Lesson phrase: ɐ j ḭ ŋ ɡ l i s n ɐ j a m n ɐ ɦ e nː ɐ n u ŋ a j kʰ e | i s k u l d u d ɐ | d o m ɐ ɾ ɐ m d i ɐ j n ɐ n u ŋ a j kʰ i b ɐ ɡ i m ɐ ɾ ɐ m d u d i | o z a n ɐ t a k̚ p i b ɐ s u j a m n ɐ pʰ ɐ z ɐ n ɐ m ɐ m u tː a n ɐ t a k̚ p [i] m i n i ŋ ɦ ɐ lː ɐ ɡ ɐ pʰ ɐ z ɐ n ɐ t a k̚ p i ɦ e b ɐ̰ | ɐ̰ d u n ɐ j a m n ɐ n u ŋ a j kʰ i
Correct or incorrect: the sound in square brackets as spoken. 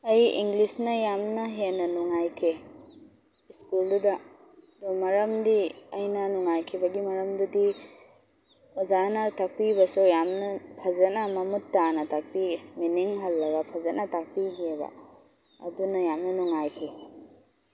correct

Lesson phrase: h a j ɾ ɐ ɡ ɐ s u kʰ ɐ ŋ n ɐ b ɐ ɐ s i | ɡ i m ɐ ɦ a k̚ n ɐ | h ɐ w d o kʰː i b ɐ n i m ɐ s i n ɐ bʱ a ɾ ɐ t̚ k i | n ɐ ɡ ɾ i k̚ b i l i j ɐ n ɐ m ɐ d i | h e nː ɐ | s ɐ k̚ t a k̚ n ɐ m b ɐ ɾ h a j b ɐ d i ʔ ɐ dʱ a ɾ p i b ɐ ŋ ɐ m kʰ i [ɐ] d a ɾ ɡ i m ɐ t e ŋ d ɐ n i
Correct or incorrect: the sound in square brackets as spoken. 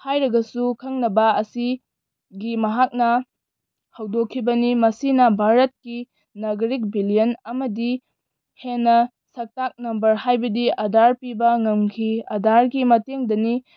correct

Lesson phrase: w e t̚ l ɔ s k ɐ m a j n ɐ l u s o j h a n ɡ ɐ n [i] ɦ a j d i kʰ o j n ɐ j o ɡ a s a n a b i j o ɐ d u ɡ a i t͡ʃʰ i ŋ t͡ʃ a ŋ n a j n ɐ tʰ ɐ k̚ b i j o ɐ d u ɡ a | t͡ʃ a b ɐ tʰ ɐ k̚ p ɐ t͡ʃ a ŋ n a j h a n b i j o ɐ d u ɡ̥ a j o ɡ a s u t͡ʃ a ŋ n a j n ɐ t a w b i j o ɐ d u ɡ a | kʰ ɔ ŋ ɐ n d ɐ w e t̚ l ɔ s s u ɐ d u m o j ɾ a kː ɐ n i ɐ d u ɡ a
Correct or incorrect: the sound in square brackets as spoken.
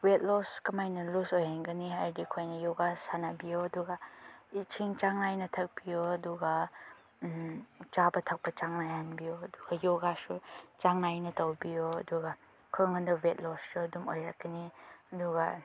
correct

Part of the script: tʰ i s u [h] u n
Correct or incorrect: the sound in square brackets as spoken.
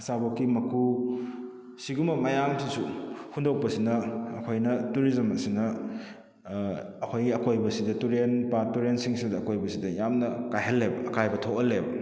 correct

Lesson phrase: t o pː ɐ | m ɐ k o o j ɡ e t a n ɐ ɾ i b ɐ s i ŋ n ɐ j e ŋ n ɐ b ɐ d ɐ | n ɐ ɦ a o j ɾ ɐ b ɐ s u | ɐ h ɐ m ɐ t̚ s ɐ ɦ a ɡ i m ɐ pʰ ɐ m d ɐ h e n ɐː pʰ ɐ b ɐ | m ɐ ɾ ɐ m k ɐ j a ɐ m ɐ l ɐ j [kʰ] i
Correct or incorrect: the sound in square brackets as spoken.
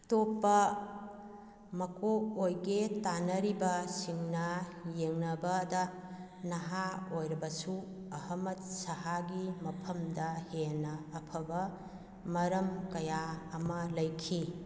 correct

